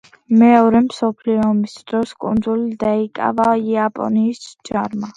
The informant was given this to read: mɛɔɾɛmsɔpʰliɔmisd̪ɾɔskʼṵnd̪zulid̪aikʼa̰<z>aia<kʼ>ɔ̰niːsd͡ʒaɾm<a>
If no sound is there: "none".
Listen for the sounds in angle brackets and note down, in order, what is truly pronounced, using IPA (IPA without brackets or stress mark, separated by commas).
v, pʼ, a